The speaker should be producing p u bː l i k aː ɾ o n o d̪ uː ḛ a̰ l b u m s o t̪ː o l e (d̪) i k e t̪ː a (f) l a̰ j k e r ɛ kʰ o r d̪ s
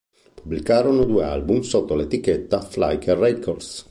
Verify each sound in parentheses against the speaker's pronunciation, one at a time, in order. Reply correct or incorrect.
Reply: incorrect: t̪, correct

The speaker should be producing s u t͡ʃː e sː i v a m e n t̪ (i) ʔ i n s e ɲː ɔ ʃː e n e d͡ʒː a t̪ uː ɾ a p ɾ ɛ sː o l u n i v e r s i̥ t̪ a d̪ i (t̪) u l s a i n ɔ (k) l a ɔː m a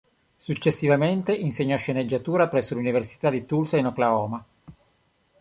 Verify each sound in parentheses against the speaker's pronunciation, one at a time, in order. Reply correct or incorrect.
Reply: incorrect: e, correct, correct

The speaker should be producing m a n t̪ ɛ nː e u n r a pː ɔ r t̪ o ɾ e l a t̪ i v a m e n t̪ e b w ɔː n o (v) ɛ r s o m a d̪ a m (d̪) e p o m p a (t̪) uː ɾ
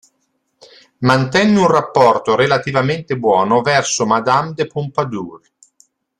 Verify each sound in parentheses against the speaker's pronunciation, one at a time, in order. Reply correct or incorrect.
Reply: correct, correct, incorrect: d̪

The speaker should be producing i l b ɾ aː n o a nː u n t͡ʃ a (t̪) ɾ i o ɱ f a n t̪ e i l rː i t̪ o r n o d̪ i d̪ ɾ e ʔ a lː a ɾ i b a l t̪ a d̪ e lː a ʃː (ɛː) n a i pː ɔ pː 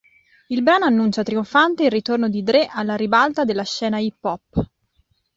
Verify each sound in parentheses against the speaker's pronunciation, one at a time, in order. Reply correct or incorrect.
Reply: correct, correct

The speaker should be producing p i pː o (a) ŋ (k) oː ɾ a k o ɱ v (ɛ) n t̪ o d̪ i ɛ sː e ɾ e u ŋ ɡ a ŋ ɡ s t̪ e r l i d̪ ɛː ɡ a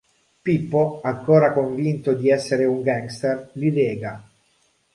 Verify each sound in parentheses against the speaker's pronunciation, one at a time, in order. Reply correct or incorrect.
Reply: correct, correct, incorrect: i

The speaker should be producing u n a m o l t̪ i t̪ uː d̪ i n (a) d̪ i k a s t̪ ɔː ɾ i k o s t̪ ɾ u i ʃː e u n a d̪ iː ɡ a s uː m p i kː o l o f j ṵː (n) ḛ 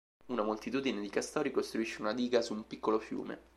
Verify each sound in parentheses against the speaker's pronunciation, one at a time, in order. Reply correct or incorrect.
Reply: incorrect: e, incorrect: m

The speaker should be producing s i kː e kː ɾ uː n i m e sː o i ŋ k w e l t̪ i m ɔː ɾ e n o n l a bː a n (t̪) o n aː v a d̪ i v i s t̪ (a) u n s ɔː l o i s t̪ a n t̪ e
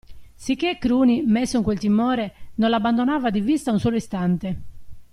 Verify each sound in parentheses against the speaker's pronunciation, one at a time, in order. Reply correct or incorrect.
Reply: incorrect: d̪, correct

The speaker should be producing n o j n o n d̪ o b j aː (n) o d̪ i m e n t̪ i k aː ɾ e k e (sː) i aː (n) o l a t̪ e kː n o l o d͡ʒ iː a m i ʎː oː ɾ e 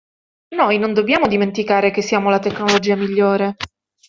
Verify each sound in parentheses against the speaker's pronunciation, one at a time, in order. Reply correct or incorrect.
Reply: incorrect: m, correct, incorrect: m

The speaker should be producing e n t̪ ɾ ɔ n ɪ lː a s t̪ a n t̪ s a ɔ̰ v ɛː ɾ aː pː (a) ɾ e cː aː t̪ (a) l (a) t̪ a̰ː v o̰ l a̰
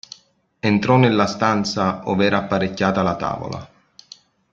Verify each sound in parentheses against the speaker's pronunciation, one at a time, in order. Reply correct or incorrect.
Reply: correct, correct, correct

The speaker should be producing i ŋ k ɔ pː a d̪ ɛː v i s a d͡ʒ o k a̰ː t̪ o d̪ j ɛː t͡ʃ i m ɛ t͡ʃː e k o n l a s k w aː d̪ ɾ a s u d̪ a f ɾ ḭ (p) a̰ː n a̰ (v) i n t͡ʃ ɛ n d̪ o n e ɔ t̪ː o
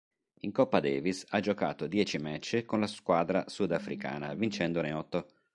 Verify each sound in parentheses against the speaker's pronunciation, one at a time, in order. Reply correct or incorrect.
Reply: incorrect: k, correct

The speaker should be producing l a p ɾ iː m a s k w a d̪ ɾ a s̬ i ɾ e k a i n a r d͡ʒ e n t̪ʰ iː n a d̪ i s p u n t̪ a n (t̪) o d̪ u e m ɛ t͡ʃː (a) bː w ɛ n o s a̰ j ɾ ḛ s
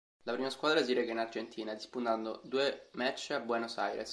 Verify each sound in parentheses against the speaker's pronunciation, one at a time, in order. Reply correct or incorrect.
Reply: incorrect: d̪, correct

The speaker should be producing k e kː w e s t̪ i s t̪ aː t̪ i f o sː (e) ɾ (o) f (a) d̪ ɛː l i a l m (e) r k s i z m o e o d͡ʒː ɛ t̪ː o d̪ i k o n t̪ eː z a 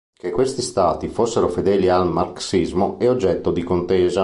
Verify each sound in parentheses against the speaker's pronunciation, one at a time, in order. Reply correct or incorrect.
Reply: correct, correct, incorrect: e, incorrect: a

